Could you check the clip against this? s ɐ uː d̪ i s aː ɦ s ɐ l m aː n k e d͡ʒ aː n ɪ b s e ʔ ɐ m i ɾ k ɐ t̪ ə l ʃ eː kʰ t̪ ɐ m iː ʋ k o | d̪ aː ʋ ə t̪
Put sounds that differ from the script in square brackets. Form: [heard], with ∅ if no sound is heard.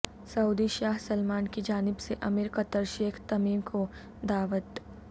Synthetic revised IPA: s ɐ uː d̪ i [ʃ] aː ɦ s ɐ l m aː n k [i] d͡ʒ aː n ɪ b s e ʔ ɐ m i ɾ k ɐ t̪ ə [ɾ] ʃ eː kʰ t̪ ɐ m iː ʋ k o | d̪ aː ʋ ə t̪